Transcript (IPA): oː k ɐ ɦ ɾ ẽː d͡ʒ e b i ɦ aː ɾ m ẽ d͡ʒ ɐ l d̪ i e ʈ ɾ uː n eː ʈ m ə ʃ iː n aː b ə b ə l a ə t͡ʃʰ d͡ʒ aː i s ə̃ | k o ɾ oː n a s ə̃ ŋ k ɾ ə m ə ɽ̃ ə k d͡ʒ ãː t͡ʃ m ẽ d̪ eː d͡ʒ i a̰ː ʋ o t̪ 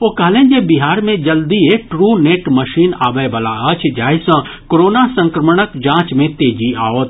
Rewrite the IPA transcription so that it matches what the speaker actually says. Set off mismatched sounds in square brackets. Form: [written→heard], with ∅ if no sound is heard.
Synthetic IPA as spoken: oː k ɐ ɦ [ɾ→l] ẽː d͡ʒ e b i ɦ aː ɾ m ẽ d͡ʒ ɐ l d̪ i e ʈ ɾ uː n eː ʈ m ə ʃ iː n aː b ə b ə l a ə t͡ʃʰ d͡ʒ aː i s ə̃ | k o ɾ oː n a s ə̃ ŋ k ɾ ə m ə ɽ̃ ə k d͡ʒ ãː t͡ʃ m ẽ [d̪→t̪] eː d͡ʒ i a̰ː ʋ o t̪